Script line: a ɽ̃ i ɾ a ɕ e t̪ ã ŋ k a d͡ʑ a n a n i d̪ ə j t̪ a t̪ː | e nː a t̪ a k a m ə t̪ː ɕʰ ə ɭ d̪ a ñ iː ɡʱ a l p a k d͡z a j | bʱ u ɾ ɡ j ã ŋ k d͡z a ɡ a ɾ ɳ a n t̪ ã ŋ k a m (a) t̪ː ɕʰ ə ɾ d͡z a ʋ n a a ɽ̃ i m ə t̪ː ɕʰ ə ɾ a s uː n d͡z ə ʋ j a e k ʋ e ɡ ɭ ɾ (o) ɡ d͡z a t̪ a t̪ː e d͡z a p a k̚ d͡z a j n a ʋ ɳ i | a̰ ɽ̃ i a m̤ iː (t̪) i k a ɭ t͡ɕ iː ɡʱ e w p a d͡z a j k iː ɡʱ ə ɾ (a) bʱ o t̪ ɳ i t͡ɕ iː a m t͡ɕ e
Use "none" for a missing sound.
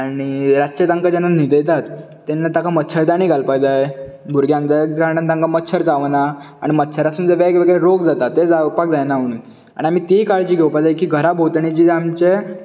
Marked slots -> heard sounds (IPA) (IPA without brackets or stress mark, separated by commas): ə, o, t̪, a